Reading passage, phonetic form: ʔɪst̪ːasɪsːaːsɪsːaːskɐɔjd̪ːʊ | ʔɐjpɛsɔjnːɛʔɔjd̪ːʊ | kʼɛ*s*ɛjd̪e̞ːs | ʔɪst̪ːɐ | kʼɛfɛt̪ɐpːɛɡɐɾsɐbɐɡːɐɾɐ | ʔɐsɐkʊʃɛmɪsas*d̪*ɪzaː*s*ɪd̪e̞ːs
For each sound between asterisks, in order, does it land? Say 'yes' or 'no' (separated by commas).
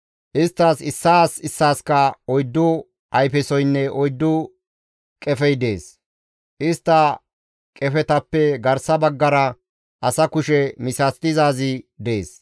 no, no, no